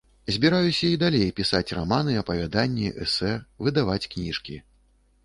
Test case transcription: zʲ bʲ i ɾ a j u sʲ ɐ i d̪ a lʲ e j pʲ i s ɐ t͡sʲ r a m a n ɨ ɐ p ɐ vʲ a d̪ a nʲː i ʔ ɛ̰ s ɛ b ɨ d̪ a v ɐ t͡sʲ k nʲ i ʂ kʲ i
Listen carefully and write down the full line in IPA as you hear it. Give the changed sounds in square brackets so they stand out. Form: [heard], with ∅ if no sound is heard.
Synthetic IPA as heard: zʲ bʲ i ɾ a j u sʲ ɐ i d̪ a lʲ e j pʲ i s [a] t͡sʲ r a m a n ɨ ɐ p ɐ vʲ a d̪ a nʲː i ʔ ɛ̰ s ɛ [v] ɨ d̪ a v [a] t͡sʲ k nʲ i ʂ kʲ i

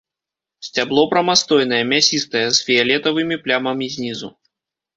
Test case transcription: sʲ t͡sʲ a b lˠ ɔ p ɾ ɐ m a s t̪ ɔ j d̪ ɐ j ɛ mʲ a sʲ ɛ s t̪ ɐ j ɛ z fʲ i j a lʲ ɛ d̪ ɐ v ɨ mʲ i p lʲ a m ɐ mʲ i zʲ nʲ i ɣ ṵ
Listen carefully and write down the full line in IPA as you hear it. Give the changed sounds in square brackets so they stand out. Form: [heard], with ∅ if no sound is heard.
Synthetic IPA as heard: sʲ t͡sʲ a b lˠ ɔ p ɾ ɐ m a s t̪ ɔ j [n̪] ɐ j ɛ mʲ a sʲ [i] s t̪ ɐ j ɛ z fʲ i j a lʲ ɛ [t̪] ɐ v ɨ mʲ i p lʲ a m ɐ mʲ i zʲ nʲ i [z] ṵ

